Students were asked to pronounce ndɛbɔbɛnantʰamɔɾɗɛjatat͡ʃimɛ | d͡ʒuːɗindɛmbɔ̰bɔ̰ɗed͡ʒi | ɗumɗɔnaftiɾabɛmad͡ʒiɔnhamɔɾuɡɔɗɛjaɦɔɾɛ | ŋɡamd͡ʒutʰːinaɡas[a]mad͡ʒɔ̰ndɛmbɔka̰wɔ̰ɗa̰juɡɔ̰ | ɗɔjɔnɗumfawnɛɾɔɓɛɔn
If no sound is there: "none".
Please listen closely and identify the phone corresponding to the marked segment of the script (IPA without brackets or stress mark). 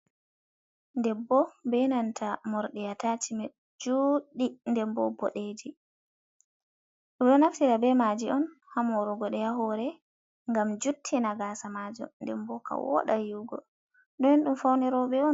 a